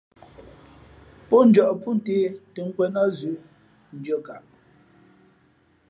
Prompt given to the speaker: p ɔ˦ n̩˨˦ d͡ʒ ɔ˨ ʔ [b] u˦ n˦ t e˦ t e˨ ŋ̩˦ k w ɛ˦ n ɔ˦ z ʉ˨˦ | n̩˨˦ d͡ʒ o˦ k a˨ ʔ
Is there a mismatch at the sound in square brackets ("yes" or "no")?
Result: yes